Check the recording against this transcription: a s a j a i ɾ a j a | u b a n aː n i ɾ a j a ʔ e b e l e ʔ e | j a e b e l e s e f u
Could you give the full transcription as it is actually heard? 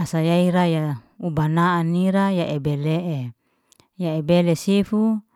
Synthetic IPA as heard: a s a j a i ɾ a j a | u b a n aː n i ɾ a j a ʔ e b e l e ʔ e | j a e b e l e s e f u